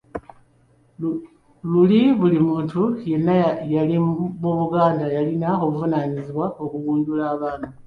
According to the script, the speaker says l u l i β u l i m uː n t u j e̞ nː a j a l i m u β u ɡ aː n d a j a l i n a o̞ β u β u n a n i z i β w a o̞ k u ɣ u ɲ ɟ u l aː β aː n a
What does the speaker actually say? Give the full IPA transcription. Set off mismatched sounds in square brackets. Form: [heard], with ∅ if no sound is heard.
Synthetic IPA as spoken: l u l i β u l i m uː n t u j e̞ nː a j a l i m u β u ɡ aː n d a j a l i n a o̞ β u [v] u n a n i z i β w a o̞ k u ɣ [uː] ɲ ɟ u l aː β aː n a